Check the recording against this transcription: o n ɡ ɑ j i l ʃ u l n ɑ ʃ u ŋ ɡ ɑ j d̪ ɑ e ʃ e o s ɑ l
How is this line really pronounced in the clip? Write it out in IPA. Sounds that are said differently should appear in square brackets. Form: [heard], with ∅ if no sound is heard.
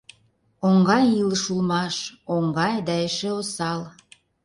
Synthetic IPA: o [ŋ] ɡ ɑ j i l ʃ u l [m] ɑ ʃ [o] ŋ ɡ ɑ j d̪ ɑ e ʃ e o s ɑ l

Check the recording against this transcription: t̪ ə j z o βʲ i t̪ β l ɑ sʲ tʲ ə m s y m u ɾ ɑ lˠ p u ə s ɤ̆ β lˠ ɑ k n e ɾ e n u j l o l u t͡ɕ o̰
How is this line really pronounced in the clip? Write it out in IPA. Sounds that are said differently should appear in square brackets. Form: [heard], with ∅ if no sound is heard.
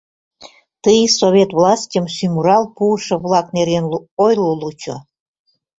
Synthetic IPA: t̪ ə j [s] o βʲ [e] t̪ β l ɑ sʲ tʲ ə m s y m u ɾ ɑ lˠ p u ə [ʃ] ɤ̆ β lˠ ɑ k n e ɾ e n [o] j l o l u t͡ɕ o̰

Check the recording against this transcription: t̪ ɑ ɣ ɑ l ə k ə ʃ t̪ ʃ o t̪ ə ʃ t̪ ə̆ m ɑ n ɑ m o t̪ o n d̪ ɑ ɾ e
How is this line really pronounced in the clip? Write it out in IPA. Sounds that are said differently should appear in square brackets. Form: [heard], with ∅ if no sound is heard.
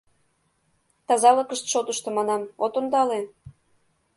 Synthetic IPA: t̪ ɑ [z] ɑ l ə k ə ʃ t̪ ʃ o t̪ ə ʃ t̪ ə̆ m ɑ n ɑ m o t̪ o n d̪ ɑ [l] e

